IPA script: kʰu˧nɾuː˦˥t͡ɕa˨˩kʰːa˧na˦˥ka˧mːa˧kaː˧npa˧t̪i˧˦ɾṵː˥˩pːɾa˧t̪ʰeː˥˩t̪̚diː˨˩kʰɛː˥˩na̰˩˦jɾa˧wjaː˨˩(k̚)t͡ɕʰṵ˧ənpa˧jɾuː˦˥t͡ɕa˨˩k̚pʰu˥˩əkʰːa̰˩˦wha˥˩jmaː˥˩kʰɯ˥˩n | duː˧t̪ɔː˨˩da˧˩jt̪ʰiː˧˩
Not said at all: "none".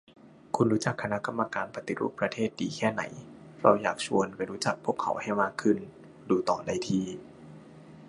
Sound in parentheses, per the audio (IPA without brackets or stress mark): k̚